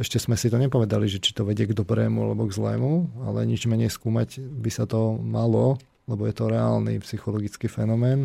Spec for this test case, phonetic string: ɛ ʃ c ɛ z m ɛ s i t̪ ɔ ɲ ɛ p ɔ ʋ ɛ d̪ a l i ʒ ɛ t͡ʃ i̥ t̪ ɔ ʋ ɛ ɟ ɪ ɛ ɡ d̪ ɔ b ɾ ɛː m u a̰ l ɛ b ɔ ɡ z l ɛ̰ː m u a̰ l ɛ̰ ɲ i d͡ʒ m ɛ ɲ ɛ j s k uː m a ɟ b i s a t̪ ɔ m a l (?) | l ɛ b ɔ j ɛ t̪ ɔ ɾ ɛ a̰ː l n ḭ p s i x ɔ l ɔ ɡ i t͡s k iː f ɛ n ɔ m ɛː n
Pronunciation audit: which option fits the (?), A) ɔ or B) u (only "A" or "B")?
A